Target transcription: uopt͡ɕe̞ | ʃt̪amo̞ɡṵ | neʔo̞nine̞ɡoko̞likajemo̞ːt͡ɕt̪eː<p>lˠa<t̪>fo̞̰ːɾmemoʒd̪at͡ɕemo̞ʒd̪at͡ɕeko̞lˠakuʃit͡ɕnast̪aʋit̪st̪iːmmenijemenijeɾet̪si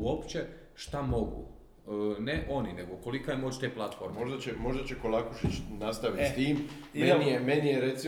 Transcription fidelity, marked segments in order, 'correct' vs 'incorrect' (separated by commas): correct, correct